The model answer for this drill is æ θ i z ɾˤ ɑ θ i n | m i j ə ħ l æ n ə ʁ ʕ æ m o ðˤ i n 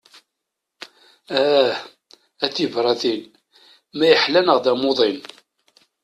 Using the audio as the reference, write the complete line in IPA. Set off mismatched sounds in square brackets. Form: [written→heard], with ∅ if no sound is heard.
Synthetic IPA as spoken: æ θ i [z→v] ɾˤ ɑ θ i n | m [i→æ] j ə ħ l æ n ə ʁ [ʕ→ð] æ m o ðˤ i n